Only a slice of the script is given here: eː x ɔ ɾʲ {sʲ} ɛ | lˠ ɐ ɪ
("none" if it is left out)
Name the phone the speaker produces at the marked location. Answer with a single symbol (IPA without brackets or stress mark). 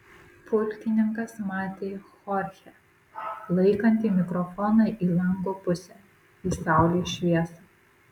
xʲ